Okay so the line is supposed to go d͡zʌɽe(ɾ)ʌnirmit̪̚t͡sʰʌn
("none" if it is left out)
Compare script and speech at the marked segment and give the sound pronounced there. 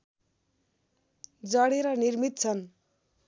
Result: ɾ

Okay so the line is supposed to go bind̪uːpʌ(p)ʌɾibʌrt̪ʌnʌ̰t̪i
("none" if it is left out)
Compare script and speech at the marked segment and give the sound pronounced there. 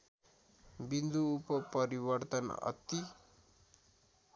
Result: p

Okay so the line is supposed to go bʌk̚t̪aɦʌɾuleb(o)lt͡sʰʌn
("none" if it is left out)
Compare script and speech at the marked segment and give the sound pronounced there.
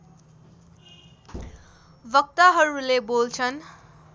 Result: o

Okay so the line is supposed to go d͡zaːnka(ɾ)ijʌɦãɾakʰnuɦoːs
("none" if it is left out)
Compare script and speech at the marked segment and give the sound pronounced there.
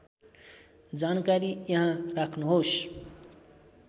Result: ɾ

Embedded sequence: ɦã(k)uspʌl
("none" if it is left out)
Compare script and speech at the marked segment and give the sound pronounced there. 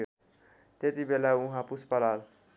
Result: p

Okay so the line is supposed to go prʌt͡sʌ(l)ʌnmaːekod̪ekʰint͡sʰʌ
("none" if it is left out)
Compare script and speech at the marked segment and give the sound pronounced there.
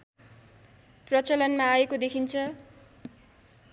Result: l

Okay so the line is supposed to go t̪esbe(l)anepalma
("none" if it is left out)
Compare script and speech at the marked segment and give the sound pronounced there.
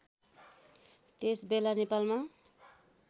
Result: l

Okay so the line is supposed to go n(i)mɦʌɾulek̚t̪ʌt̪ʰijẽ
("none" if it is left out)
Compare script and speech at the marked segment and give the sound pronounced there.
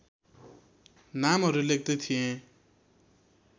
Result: a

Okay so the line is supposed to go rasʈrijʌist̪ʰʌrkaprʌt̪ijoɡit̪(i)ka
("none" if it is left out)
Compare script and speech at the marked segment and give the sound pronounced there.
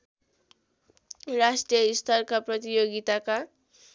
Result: a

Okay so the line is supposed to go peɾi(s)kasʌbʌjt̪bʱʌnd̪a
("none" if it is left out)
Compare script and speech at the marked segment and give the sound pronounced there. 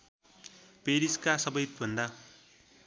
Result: s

